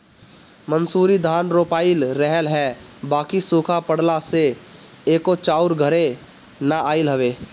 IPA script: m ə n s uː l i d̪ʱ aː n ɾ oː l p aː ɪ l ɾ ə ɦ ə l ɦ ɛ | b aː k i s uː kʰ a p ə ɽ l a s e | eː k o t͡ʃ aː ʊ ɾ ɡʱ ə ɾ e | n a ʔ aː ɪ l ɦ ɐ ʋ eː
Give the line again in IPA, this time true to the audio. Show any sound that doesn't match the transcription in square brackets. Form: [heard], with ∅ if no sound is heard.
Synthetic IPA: m ə n s uː [ɾ] i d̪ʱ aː n ɾ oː [∅] p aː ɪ l ɾ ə ɦ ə l ɦ ɛ | b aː k i s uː kʰ a p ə ɽ l a s e | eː k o t͡ʃ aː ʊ ɾ ɡʱ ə ɾ e | n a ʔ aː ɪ l ɦ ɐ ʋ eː